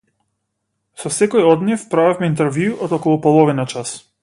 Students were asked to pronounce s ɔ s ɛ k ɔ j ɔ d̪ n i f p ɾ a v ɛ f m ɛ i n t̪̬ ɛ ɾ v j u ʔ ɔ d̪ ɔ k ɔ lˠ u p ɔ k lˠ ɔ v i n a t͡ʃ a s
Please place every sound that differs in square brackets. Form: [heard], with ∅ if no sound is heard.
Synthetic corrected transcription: s ɔ s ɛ k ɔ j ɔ d̪ n i f p ɾ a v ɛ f m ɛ i n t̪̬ ɛ ɾ v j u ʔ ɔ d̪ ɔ k ɔ lˠ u p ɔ [∅] lˠ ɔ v i n a t͡ʃ a s